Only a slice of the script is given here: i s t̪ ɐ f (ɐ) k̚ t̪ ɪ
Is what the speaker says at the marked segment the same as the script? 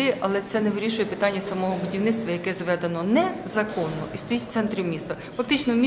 yes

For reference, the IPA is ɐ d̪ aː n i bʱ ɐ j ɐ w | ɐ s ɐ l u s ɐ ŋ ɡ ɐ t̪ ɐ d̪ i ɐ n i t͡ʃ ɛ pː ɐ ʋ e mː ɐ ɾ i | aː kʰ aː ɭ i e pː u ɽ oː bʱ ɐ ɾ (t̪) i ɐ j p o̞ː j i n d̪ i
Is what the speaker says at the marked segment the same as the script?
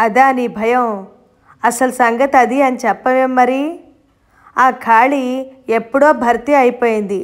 yes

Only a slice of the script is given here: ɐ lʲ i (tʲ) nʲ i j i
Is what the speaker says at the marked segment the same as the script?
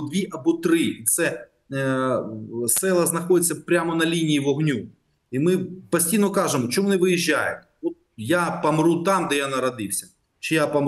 no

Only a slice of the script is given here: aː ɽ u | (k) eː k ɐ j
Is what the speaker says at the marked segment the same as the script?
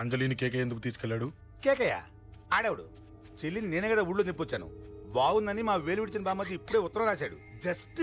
yes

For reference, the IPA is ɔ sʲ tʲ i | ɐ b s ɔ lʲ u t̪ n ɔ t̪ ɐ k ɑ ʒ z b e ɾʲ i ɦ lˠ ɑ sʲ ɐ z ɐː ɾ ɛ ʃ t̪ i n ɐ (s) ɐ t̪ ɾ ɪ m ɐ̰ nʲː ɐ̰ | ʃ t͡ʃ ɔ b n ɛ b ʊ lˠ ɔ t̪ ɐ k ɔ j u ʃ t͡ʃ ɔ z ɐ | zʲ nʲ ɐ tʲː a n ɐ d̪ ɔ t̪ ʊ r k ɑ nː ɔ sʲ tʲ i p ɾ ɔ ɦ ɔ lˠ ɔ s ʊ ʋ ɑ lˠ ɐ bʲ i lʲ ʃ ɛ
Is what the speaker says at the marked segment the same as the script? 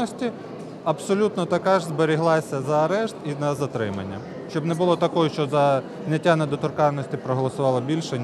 no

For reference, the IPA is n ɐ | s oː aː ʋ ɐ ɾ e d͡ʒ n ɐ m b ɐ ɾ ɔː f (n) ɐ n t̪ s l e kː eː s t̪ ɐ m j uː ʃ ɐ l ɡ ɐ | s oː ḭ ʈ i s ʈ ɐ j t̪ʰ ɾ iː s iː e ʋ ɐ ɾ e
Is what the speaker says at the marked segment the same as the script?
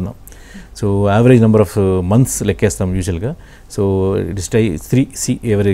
no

